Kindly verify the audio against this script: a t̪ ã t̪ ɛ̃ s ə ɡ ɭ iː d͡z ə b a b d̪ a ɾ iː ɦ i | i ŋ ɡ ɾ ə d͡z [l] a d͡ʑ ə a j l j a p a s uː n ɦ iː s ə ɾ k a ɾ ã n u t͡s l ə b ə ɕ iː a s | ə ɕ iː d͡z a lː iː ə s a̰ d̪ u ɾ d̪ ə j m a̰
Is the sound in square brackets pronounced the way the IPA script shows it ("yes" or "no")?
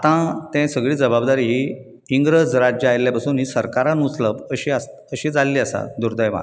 no